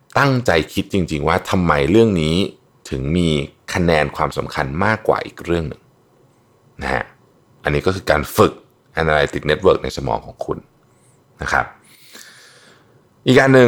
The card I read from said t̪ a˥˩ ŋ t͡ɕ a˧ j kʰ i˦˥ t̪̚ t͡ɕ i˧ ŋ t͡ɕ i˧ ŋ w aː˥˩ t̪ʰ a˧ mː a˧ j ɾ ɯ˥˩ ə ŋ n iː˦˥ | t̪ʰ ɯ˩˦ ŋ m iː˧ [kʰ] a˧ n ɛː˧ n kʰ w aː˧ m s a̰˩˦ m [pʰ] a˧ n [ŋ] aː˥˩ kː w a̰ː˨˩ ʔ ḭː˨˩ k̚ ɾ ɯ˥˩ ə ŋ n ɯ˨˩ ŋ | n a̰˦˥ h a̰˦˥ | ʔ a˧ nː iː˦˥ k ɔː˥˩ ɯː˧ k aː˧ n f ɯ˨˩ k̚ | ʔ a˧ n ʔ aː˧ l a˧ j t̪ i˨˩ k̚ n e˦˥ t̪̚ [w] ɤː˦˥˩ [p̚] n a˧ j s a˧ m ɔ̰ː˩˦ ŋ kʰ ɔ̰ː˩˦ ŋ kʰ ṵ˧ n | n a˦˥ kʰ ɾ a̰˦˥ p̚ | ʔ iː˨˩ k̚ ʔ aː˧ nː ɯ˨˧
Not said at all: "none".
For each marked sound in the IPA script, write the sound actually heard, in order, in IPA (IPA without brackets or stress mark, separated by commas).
kʰ, kʰ, m, w, k̚